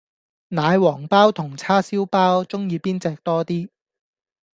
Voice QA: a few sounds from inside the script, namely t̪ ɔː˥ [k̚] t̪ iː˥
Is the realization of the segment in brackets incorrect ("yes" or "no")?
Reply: yes